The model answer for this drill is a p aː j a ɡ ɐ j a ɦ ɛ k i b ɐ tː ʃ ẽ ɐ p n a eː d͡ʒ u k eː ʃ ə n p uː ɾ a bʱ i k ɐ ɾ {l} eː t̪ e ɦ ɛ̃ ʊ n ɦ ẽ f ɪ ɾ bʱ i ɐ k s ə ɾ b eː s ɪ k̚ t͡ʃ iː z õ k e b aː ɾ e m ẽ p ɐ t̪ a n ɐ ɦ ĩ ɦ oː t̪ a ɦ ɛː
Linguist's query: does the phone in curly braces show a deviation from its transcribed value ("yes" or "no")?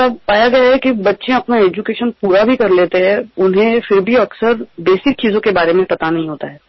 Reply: no